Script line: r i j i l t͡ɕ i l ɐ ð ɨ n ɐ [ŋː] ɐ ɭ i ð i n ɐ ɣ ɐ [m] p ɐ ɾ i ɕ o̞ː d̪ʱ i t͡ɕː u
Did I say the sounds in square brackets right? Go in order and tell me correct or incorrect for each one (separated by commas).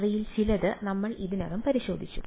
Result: incorrect, correct